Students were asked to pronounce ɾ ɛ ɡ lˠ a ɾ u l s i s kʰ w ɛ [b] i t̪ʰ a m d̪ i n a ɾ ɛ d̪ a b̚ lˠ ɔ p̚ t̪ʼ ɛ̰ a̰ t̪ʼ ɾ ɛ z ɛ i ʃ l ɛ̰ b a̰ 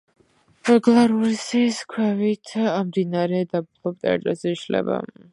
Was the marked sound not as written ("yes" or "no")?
yes